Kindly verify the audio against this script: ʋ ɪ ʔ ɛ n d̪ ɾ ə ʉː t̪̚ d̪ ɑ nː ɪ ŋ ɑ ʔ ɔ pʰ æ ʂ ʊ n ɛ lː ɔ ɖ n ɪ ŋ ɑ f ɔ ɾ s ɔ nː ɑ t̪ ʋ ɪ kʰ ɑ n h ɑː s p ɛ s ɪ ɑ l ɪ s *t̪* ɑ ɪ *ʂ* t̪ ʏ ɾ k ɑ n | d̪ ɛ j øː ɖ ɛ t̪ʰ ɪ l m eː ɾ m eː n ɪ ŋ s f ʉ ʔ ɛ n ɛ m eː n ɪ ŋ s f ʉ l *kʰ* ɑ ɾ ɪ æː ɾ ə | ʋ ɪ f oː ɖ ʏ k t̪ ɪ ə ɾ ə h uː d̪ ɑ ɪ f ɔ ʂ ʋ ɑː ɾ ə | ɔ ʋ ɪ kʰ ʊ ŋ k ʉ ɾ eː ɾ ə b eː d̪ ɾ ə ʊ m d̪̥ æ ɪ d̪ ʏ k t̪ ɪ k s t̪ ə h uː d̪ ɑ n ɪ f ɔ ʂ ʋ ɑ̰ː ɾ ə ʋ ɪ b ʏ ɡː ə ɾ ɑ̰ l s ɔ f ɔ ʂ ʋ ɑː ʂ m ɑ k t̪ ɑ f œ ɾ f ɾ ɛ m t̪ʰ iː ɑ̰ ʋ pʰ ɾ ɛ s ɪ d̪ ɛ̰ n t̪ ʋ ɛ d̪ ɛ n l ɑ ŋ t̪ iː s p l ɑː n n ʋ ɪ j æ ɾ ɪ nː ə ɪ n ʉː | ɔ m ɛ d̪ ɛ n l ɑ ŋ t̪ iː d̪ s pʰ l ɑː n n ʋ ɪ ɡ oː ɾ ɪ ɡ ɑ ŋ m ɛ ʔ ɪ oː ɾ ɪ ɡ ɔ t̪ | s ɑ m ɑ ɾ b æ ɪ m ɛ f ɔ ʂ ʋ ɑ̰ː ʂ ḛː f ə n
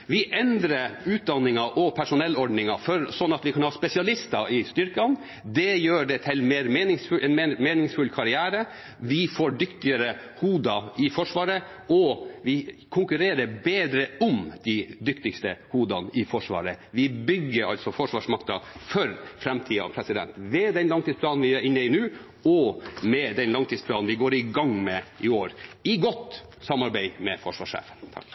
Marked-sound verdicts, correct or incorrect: correct, incorrect, correct

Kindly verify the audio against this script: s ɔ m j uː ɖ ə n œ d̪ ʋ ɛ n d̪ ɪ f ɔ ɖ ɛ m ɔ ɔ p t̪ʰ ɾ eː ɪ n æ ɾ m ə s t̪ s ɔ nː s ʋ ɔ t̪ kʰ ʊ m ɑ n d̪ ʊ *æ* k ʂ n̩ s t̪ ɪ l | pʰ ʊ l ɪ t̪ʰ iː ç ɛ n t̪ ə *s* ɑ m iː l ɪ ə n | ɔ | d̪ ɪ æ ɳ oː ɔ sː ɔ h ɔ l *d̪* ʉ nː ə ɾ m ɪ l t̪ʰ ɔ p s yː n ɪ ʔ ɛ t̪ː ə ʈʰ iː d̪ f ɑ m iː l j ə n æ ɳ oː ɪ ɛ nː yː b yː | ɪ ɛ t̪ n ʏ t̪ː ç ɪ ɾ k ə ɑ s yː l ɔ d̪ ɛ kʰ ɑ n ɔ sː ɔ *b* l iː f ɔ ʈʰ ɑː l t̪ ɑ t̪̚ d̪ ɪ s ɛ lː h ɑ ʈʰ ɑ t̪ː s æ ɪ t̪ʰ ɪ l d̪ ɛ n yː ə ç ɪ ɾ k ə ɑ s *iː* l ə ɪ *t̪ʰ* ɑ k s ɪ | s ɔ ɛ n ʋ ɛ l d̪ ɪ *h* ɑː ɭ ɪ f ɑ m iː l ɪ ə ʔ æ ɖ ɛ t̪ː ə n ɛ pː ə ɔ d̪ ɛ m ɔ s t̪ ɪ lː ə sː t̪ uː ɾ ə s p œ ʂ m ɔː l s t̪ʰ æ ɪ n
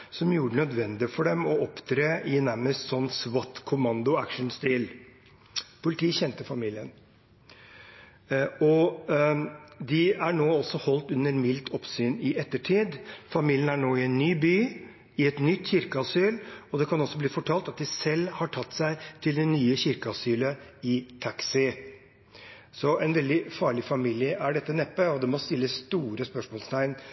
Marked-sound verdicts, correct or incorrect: correct, incorrect, incorrect, correct, incorrect, correct, incorrect

